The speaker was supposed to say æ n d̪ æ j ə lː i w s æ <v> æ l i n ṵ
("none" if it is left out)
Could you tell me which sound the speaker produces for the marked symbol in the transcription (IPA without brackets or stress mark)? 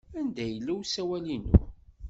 w